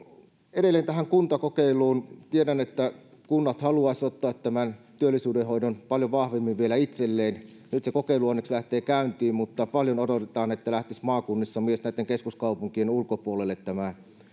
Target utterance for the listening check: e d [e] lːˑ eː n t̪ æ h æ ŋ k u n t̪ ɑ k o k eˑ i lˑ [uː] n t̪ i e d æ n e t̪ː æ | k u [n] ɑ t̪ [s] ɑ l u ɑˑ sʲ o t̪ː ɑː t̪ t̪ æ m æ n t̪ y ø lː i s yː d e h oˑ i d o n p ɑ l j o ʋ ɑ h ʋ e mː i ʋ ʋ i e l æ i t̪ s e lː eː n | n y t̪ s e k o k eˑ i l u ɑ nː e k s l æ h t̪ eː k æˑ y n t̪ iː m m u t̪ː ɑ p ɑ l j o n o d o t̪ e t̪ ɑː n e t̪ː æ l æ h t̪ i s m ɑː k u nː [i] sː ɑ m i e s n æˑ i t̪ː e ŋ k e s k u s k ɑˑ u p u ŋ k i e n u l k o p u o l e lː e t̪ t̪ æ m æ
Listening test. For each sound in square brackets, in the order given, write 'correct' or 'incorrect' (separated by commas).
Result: correct, correct, incorrect, incorrect, correct